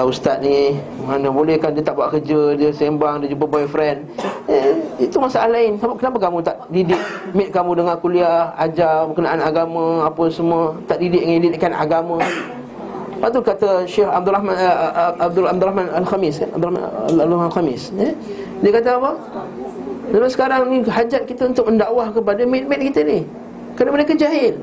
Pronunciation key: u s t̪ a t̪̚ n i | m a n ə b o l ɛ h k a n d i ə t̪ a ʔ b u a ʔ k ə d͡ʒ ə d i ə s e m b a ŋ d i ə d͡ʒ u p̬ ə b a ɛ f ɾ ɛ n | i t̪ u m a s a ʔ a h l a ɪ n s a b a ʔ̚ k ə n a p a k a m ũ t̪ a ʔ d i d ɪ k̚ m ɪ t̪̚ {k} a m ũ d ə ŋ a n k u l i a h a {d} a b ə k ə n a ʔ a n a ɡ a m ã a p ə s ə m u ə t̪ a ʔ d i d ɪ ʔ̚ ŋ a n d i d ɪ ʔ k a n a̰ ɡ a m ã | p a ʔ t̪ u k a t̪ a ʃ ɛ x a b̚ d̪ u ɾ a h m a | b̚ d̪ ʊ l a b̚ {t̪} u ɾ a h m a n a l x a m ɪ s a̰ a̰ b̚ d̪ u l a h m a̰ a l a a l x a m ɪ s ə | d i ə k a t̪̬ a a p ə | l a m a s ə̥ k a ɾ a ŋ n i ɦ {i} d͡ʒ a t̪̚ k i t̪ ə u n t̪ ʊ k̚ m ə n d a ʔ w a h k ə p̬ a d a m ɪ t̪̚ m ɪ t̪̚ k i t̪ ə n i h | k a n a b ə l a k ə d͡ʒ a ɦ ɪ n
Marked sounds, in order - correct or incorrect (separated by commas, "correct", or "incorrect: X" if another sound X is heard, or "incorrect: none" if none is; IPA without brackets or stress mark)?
correct, incorrect: d͡ʒ, incorrect: d̪, incorrect: a